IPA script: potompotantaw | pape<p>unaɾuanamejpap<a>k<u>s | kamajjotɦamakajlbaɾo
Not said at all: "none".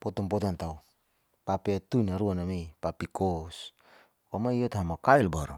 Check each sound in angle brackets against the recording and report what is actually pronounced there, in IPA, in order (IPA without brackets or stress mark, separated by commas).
t, i, o